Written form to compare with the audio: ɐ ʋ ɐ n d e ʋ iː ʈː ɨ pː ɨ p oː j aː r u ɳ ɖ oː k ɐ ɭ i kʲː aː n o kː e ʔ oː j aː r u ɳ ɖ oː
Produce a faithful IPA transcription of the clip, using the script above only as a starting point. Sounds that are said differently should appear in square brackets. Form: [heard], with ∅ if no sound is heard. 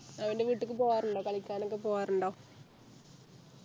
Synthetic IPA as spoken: ɐ ʋ ɐ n d e ʋ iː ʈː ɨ [kː] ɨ p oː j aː r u ɳ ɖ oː k ɐ ɭ i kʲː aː n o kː e [p] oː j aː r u ɳ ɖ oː